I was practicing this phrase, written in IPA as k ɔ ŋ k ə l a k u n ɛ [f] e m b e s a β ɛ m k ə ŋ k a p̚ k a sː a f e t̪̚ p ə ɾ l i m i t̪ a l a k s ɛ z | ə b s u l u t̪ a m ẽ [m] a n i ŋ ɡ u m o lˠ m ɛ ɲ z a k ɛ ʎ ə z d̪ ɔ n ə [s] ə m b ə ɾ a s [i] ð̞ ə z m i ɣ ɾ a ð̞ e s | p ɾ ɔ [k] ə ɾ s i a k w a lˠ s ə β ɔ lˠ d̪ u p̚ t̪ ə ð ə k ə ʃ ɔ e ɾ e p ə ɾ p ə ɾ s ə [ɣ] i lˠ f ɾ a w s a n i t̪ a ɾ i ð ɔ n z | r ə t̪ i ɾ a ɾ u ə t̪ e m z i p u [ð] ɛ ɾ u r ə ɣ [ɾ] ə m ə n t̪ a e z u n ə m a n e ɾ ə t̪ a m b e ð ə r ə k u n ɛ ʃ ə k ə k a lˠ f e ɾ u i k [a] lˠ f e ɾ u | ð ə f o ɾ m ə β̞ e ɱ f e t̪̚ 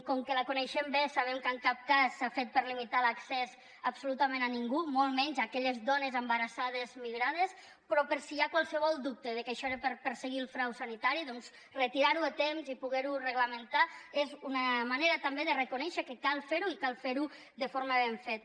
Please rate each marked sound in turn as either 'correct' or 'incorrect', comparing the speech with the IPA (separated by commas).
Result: incorrect, incorrect, incorrect, incorrect, incorrect, correct, incorrect, incorrect, correct